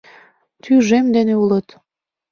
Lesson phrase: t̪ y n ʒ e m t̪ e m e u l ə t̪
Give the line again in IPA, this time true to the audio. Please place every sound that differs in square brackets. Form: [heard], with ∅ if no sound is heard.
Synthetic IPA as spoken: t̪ y [∅] ʒ e m [d̪] e [n] e u l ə t̪